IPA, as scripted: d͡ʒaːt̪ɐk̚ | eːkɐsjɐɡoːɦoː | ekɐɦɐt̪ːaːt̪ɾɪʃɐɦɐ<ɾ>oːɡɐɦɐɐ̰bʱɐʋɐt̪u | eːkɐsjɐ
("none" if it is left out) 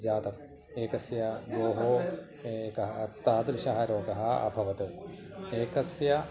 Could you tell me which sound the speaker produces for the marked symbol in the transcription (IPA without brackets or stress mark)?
ɾ